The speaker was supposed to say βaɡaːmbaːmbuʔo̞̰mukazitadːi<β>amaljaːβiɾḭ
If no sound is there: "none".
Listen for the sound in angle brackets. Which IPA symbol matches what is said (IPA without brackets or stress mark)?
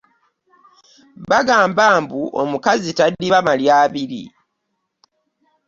β